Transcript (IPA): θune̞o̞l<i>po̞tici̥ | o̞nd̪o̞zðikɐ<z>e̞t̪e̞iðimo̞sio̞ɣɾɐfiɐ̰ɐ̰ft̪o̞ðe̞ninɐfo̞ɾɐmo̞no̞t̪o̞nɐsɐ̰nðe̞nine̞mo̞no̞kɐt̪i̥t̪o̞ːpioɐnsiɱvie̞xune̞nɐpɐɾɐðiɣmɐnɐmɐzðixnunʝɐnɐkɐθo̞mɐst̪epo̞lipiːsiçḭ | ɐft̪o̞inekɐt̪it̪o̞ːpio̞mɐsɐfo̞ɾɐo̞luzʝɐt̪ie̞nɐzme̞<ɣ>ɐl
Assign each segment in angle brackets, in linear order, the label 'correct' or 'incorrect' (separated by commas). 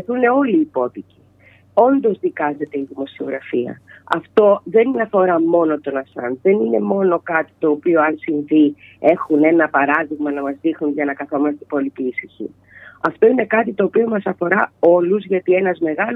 incorrect, correct, correct